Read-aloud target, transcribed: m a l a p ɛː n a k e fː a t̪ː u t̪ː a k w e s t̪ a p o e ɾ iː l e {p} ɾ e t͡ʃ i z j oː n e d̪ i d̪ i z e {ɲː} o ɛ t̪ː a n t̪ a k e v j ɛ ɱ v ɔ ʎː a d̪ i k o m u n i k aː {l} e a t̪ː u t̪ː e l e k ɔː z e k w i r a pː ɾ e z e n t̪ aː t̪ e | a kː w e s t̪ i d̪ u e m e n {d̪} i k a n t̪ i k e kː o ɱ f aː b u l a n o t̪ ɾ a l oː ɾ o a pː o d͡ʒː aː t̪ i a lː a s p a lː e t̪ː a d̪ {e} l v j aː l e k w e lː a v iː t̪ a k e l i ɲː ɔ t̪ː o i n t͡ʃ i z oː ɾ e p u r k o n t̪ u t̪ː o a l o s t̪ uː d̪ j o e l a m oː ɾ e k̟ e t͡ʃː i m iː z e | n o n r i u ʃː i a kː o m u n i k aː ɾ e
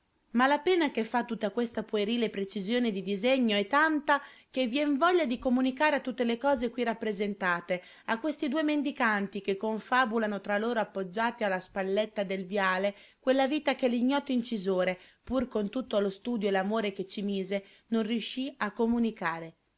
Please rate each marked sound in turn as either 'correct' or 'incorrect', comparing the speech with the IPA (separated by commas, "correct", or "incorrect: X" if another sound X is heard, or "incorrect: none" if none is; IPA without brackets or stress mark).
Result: correct, correct, incorrect: ɾ, correct, correct